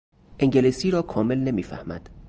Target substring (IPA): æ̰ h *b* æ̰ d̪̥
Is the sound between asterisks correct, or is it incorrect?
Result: incorrect